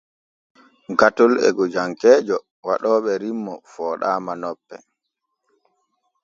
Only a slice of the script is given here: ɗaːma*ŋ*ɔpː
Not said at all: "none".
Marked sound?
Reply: n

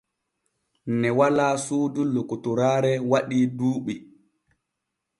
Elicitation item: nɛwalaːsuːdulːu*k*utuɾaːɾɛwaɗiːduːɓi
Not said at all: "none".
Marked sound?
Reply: k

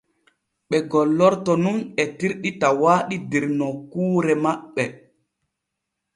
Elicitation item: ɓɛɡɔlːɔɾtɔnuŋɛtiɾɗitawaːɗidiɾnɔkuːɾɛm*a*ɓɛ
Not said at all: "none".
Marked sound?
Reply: a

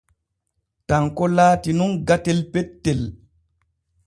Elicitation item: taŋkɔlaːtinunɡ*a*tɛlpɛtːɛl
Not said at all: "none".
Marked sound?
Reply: a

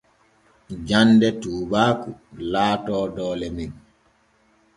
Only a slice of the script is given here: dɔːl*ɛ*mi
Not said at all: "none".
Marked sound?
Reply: ɛ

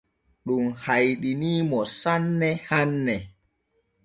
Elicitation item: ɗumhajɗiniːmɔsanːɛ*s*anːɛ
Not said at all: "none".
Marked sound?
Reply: h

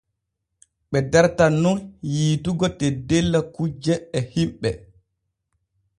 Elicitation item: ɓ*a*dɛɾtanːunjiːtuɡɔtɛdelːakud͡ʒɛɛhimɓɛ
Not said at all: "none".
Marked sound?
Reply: ɛ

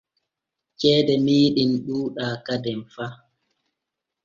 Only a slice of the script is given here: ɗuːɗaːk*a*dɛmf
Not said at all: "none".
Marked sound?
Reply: a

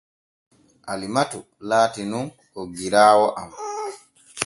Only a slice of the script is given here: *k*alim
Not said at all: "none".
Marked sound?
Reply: ʔ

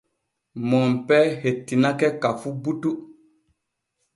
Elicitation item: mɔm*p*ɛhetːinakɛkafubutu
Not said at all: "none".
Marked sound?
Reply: p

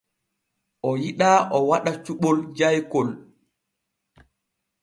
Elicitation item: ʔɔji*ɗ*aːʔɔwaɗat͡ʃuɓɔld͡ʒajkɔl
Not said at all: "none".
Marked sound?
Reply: ɗ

